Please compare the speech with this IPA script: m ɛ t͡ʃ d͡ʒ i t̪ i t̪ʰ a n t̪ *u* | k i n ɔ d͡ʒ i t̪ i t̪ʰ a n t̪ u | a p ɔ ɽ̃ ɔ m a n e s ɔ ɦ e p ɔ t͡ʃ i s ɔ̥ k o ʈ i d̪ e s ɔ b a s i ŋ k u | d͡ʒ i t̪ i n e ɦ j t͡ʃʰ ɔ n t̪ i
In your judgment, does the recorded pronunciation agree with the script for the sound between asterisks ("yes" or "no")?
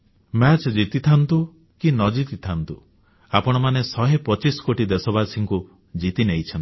yes